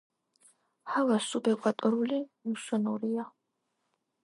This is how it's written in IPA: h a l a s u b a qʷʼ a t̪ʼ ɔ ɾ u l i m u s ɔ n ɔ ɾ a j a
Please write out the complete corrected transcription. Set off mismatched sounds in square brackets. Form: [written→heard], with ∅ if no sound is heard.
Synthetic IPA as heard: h a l a s u b [a→ɛ] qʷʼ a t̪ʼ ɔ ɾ u l i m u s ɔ n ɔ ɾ [a→i] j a